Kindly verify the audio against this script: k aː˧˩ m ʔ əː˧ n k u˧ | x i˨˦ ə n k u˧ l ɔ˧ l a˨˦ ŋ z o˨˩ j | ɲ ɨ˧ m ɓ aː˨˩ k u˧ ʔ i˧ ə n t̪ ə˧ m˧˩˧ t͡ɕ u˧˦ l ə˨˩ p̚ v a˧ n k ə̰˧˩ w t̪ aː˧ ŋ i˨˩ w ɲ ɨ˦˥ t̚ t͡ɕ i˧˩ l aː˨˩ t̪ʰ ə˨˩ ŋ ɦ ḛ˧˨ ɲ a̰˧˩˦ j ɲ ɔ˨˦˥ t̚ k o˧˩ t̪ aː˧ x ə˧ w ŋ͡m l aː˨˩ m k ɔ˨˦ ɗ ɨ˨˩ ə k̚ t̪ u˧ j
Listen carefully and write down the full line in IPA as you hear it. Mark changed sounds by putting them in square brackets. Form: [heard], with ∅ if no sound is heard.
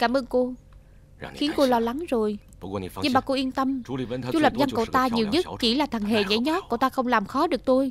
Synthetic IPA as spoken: k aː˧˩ m ʔ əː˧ n k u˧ | x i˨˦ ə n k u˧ l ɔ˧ l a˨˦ ŋ z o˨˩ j | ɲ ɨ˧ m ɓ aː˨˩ k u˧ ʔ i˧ ə n t̪ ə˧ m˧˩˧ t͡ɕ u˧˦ l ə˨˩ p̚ [z] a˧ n k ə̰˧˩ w t̪ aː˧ [ɲ] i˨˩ w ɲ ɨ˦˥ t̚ t͡ɕ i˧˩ l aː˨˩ t̪ʰ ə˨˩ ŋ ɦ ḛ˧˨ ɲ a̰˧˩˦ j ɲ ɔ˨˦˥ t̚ k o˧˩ t̪ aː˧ x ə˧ w ŋ͡m l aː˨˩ m [x] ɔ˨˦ ɗ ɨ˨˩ ə k̚ t̪ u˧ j